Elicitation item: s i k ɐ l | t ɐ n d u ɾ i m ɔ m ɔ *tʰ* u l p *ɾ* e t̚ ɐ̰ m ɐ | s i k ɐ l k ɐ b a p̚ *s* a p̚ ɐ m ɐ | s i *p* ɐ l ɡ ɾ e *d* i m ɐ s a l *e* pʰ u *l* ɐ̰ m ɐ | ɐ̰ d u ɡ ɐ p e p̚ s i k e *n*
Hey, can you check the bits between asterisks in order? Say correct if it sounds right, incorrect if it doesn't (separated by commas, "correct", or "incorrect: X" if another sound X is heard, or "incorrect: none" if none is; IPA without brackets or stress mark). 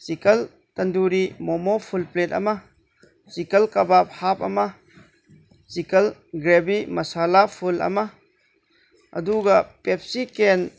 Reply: incorrect: pʰ, incorrect: l, incorrect: h, incorrect: k, incorrect: b, incorrect: a, correct, correct